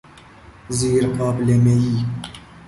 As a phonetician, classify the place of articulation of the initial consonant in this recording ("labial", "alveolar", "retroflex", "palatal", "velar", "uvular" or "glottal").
alveolar